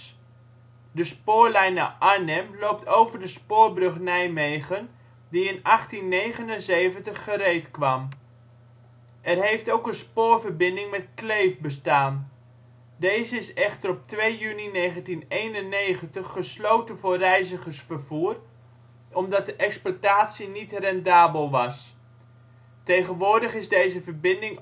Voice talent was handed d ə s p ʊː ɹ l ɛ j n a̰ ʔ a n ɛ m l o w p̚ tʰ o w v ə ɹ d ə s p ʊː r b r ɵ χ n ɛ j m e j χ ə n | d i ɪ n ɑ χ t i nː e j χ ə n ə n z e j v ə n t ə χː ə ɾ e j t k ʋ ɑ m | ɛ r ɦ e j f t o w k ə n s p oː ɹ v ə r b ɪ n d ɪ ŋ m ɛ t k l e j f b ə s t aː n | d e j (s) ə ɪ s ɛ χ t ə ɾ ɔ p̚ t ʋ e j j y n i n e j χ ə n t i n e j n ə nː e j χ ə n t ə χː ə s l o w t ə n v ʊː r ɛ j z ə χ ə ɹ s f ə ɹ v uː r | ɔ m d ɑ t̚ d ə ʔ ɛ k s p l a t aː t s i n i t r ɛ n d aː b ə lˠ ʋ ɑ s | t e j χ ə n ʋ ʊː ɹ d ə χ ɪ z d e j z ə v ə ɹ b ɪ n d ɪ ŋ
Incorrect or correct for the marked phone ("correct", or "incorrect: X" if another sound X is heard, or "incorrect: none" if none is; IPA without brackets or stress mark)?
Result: incorrect: z